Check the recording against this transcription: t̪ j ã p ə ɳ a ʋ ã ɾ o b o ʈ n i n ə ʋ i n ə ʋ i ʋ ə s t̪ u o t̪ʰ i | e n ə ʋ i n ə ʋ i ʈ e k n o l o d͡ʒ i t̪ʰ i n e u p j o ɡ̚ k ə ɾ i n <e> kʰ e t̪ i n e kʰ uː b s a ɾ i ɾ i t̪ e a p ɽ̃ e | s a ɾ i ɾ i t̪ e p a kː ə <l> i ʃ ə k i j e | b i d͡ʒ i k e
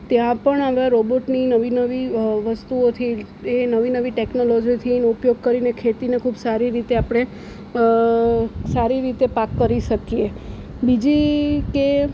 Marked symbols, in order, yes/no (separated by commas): yes, no